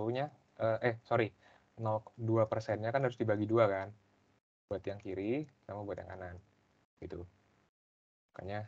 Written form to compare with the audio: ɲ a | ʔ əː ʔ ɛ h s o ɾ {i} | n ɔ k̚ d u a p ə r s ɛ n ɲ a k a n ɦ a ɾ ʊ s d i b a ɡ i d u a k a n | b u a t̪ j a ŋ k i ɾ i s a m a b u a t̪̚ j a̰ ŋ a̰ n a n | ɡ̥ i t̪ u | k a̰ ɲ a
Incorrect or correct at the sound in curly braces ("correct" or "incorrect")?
correct